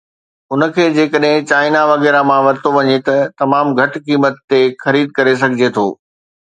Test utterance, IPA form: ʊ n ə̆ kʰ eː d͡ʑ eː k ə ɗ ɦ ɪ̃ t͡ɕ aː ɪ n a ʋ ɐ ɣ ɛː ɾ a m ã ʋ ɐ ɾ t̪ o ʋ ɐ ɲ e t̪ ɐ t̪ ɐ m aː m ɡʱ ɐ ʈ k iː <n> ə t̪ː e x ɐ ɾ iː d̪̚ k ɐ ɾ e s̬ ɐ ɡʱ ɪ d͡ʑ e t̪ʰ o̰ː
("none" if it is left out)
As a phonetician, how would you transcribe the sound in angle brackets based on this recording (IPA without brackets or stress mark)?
m